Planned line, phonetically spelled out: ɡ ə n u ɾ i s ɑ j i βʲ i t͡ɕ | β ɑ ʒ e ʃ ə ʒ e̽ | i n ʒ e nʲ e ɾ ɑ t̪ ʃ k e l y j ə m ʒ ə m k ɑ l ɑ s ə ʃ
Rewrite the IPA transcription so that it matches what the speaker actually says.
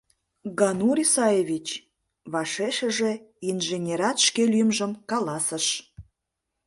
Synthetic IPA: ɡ ɑ n u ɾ i s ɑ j e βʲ i t͡ɕ | β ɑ ʃ e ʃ ə ʒ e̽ | i n ʒ e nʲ e ɾ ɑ t̪ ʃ k e l y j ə m ʒ ə m k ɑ l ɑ s ə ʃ